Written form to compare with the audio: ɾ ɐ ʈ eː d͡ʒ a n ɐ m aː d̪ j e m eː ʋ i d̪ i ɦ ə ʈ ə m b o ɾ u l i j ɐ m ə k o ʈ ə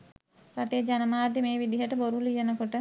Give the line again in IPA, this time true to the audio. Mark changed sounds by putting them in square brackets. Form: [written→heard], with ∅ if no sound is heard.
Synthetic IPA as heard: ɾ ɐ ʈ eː d͡ʒ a n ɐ m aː d̪ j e m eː ʋ i d̪ i ɦ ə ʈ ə [m→∅] b o ɾ u l i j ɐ [m→n] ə k o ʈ ə